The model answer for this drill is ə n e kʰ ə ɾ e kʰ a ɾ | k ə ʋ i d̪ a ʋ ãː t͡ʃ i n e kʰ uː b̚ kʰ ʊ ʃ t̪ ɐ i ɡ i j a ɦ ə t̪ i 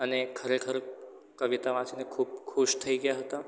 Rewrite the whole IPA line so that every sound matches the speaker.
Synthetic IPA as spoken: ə n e kʰ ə ɾ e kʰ ə ɾ | k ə ʋ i t̪ a ʋ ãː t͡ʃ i n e kʰ uː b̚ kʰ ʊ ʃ t̪ʰ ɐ i ɡ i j a ɦ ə t̪ a